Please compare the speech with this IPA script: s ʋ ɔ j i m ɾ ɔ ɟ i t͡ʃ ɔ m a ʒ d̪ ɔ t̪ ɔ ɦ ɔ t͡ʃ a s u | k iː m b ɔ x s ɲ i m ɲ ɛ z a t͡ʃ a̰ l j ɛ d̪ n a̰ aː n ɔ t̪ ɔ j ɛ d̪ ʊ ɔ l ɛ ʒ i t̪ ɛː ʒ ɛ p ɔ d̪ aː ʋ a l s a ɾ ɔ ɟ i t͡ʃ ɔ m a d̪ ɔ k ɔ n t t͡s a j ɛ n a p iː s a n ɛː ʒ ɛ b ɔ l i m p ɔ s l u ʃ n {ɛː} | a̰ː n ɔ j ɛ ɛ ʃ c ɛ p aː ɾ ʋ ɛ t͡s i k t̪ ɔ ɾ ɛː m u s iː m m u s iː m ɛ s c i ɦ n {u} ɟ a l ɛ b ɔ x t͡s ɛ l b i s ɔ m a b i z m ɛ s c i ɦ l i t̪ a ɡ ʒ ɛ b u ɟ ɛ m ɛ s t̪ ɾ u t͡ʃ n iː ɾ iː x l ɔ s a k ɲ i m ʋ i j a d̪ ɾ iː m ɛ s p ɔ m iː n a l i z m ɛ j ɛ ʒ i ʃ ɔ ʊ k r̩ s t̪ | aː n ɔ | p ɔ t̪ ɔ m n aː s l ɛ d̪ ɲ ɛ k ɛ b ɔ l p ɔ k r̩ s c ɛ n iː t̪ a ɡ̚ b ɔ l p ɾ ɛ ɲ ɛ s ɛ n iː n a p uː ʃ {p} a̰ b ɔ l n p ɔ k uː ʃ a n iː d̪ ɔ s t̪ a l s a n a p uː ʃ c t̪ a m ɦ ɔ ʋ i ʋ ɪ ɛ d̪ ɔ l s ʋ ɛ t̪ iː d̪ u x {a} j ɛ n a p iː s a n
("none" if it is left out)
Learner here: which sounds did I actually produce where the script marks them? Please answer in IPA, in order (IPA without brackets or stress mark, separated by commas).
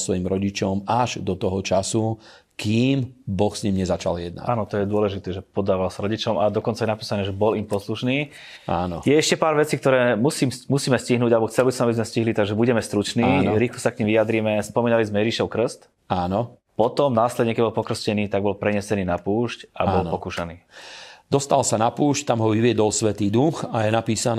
iː, uː, c, a